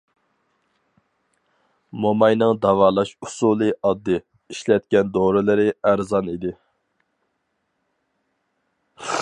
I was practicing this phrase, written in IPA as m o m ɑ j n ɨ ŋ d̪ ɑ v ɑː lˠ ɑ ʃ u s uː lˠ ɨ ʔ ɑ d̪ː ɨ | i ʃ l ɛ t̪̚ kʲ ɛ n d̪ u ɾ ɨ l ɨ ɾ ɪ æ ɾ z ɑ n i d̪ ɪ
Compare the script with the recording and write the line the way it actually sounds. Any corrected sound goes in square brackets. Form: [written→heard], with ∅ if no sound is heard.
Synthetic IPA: m o m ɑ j n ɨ ŋ d̪ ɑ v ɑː lˠ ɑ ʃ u s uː lˠ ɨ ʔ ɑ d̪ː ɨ | i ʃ l ɛ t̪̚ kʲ ɛ n d̪ [u→o] ɾ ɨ l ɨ ɾ ɪ æ ɾ z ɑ n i d̪ ɪ